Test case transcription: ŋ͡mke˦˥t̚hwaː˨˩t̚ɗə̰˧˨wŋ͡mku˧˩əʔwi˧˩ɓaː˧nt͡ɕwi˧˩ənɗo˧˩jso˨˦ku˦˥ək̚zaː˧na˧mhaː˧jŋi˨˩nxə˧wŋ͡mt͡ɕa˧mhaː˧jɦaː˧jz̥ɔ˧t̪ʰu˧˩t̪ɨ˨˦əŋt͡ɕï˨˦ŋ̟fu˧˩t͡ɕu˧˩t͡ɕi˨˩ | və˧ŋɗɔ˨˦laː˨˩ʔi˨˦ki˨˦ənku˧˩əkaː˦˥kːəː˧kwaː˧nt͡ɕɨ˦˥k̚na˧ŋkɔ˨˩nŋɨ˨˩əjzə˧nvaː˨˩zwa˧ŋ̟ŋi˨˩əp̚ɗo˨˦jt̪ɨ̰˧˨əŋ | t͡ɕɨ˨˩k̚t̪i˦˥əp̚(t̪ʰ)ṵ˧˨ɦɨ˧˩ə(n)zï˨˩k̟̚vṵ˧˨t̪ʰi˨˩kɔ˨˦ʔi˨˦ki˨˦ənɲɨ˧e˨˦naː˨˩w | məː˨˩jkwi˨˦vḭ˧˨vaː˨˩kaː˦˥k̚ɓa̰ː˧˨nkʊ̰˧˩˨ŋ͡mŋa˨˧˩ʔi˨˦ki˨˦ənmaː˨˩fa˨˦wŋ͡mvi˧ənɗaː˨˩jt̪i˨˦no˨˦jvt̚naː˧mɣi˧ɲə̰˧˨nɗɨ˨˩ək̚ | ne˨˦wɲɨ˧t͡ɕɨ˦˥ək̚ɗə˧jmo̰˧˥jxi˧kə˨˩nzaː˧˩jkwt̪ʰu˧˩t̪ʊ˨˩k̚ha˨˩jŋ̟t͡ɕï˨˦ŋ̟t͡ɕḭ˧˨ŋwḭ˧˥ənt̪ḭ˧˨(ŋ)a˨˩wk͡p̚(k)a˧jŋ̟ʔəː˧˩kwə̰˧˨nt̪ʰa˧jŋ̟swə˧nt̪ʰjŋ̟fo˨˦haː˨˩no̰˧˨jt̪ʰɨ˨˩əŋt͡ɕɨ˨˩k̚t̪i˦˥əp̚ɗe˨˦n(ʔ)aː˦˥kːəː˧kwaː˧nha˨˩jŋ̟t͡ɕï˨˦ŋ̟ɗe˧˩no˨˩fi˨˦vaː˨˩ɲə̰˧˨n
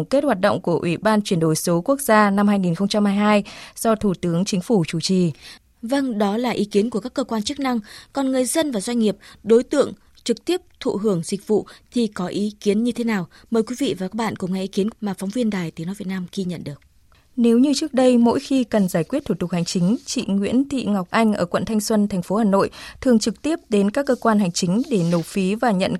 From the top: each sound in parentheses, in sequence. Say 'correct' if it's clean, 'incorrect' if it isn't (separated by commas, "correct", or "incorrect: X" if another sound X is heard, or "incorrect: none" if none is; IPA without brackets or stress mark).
correct, incorrect: ŋ, correct, incorrect: ʔ, incorrect: k